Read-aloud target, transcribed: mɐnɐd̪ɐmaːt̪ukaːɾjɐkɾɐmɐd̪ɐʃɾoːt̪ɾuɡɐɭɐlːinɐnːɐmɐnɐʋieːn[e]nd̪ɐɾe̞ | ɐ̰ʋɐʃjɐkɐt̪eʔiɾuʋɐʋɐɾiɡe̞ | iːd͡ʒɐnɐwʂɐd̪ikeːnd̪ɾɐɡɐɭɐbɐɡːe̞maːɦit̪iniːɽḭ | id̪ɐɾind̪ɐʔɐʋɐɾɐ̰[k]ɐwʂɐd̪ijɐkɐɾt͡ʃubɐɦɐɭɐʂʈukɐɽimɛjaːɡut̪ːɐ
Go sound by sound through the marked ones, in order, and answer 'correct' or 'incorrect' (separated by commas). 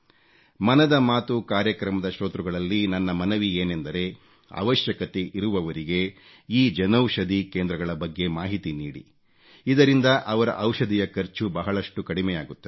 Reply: correct, incorrect